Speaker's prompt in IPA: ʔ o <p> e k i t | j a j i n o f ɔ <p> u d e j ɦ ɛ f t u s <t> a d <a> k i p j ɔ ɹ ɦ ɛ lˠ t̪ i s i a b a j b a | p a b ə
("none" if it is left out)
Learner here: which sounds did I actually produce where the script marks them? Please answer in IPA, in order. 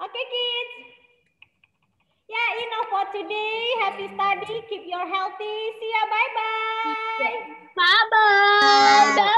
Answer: k, t, t, i

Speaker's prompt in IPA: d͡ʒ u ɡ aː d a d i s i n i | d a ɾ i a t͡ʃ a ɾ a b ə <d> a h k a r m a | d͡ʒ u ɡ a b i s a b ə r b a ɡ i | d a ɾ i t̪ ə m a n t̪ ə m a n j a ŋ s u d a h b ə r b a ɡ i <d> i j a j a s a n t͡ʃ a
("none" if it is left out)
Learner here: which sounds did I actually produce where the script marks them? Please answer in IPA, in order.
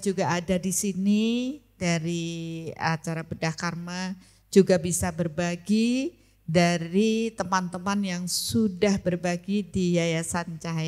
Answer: d, d

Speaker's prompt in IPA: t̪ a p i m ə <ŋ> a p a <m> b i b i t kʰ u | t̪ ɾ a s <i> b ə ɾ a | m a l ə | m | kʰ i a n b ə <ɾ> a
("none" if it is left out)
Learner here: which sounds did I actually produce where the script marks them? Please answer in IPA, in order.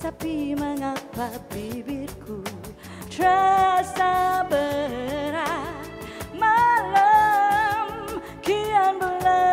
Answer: ŋ, none, a, l

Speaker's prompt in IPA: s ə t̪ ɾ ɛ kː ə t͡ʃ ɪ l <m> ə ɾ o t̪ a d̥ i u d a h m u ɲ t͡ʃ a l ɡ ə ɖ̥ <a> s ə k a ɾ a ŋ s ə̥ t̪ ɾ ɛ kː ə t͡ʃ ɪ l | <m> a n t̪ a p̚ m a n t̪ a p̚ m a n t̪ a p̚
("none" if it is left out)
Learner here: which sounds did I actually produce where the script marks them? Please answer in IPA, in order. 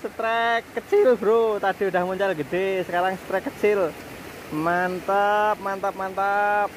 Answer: b, e, m

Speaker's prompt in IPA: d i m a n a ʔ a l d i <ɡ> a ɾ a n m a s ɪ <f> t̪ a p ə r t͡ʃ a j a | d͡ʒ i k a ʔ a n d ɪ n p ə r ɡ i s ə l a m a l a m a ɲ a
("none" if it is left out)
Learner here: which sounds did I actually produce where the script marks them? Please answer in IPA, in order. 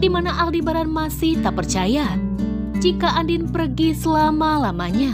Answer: b, h

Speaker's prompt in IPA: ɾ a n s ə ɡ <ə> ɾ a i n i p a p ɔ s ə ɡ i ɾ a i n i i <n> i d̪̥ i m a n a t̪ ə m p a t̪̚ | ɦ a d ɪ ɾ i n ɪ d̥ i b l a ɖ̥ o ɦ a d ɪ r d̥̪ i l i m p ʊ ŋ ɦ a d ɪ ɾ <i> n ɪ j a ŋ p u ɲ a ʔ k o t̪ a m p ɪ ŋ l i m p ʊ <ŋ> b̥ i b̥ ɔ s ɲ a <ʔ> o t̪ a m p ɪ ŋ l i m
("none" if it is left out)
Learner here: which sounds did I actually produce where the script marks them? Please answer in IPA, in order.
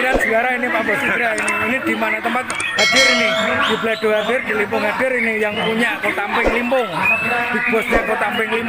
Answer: a, n, i, ŋ, k

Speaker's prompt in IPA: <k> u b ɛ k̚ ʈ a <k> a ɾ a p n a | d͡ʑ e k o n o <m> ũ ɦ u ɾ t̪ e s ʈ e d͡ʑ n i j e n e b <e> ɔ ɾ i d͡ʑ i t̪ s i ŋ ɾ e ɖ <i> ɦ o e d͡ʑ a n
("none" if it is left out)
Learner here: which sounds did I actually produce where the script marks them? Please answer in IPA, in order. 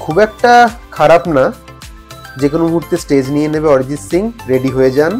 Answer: kʰ, kʰ, m, e, i

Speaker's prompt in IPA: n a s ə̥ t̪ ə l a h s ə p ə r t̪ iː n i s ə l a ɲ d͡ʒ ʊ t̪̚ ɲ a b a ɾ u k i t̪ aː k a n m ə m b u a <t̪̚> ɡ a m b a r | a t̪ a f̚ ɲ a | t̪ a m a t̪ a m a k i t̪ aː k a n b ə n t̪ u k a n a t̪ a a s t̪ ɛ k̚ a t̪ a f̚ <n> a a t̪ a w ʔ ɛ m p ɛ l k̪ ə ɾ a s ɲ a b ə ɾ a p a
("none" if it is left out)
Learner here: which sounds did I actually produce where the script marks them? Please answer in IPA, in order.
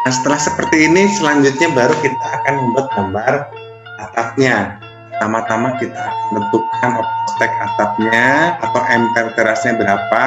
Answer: t̪̚, ɲ

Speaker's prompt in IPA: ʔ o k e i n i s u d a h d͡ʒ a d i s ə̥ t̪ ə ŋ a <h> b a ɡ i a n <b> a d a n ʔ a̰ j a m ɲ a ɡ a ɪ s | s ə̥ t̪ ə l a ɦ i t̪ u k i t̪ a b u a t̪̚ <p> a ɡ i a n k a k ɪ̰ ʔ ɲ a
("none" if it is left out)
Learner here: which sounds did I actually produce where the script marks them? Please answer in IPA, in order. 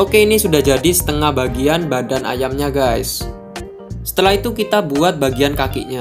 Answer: h, b, b

